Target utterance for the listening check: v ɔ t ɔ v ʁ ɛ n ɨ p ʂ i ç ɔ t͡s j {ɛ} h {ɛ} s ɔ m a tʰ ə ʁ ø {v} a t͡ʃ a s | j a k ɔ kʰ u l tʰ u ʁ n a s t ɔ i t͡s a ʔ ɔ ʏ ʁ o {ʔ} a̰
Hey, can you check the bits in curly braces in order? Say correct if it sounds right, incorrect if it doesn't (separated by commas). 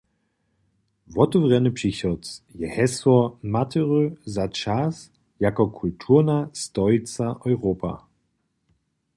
correct, correct, incorrect, incorrect